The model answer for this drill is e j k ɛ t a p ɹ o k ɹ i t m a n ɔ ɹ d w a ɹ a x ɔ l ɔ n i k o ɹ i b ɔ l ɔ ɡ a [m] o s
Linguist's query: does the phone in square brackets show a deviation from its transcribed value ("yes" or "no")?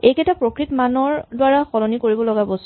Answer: yes